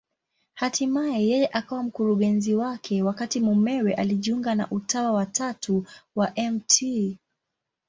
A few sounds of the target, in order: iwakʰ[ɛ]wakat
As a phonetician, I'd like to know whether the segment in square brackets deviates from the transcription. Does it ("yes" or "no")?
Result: no